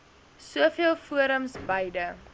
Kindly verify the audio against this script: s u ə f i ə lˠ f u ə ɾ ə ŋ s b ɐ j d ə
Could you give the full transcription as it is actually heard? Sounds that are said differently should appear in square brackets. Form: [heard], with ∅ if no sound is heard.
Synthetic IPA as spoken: s u ə f i ə lˠ f u ə ɾ ə [m] s b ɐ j d ə